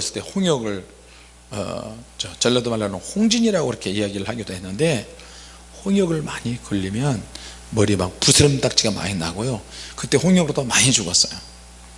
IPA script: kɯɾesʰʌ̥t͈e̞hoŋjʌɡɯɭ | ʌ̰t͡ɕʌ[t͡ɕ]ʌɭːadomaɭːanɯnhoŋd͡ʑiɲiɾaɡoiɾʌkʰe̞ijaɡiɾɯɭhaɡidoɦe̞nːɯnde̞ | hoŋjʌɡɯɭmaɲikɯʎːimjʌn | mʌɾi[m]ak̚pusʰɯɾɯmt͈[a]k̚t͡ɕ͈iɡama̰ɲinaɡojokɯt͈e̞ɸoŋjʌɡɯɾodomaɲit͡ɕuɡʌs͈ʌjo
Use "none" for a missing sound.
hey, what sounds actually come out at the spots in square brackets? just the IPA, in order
t͡ɕ, m, a

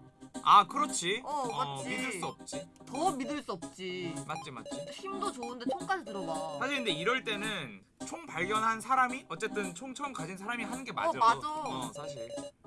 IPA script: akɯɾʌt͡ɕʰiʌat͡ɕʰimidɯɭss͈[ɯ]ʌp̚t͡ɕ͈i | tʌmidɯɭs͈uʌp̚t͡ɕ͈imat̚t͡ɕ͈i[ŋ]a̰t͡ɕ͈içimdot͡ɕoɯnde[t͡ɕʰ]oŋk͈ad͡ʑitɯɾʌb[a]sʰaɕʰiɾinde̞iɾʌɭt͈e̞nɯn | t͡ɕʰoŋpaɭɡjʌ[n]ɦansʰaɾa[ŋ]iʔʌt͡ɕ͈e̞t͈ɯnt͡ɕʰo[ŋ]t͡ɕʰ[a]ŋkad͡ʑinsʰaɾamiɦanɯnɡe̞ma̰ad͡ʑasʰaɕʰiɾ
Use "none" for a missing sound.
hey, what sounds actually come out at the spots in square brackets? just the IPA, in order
u, m, t͡ɕʰ, a, n, m, ŋ, ʌ

